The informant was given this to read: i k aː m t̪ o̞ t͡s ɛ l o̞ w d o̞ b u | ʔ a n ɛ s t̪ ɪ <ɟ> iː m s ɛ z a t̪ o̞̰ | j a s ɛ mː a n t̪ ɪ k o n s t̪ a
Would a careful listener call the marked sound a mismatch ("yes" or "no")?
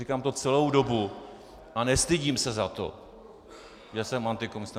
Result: no